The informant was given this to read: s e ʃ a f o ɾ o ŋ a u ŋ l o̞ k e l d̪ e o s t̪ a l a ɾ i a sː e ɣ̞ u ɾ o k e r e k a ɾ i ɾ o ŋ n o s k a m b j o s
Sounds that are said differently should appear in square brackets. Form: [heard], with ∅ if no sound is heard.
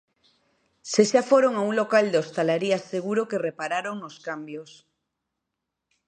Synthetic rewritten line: s e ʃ a f o ɾ o ŋ a u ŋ l o̞ k [a] l d̪ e o s t̪ a l a ɾ i a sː e ɣ̞ u ɾ o k e r e [p] a ɾ [a] ɾ o ŋ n o s k a m b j o s